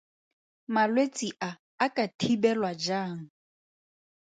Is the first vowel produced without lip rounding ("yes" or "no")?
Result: yes